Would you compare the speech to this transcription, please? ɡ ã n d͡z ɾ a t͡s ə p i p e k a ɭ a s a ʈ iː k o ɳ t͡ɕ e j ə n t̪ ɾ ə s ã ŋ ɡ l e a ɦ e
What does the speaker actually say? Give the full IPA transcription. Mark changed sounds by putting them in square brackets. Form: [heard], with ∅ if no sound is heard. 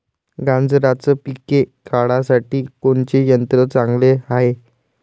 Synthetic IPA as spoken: ɡ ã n d͡z ɾ a t͡s ə p i [k] e k a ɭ a s a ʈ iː k o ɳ t͡ɕ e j ə n t̪ ɾ ə [t͡s] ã ŋ ɡ l e a ɦ e